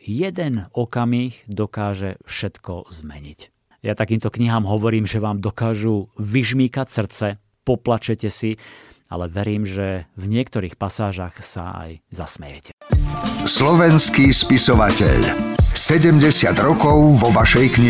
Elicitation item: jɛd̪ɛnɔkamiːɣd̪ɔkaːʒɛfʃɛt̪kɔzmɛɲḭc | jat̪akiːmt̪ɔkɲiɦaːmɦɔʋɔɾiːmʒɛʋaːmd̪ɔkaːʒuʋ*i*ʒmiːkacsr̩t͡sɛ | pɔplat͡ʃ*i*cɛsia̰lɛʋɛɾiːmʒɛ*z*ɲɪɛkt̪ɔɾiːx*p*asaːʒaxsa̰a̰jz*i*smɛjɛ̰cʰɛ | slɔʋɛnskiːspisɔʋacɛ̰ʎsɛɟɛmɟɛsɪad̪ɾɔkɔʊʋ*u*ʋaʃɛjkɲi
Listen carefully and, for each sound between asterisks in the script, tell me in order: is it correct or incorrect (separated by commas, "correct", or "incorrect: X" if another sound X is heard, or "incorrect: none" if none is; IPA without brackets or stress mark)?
correct, incorrect: ɛ, incorrect: v, correct, incorrect: a, incorrect: ɔ